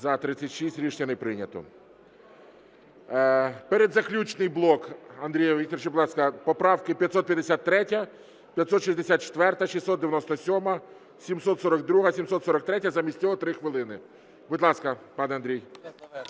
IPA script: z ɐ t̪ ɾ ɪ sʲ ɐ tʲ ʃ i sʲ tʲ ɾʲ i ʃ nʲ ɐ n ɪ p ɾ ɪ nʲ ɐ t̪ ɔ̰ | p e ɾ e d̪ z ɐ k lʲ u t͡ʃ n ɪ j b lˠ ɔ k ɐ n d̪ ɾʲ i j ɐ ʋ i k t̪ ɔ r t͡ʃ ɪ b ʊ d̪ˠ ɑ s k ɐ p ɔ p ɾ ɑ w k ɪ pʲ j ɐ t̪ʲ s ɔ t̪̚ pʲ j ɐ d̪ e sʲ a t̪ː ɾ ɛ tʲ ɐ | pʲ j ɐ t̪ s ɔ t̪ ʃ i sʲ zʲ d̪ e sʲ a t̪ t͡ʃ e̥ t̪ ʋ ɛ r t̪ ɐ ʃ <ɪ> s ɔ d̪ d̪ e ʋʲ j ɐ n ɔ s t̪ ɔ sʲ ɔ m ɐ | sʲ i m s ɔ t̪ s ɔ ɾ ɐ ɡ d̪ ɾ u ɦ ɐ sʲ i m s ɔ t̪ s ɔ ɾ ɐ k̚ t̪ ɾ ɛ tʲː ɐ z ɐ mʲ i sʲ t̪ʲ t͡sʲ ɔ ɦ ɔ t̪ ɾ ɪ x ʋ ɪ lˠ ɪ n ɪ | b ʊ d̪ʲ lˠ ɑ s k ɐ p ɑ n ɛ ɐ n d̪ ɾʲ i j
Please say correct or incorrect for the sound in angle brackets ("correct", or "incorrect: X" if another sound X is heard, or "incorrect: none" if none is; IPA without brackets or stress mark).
incorrect: i